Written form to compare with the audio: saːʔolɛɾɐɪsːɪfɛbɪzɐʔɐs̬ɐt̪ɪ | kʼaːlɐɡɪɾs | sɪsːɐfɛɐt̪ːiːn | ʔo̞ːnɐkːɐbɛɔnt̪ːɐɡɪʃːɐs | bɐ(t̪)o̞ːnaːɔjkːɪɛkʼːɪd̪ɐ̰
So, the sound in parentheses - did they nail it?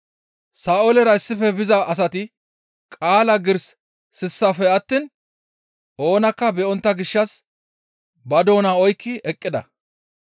no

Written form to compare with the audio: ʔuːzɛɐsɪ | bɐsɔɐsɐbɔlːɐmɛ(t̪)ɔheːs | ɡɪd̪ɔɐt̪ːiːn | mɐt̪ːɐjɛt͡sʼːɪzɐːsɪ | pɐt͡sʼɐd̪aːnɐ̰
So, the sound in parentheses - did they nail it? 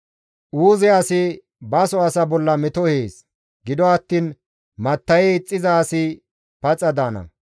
yes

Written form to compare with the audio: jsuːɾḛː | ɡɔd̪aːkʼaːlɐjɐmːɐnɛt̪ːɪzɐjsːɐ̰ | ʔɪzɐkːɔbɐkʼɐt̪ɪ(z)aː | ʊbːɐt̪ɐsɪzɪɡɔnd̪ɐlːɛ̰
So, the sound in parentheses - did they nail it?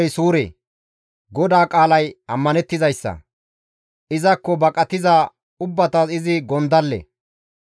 yes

